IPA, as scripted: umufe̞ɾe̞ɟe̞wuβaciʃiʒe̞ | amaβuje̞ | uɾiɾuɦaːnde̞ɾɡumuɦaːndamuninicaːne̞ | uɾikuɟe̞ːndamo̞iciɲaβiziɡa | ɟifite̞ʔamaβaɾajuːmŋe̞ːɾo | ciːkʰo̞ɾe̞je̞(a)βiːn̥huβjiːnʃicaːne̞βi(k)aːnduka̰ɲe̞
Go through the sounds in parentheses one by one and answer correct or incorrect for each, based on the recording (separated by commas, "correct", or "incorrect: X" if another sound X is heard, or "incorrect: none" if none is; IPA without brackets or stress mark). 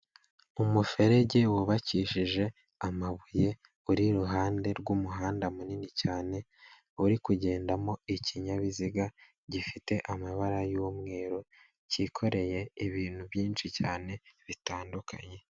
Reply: incorrect: i, incorrect: t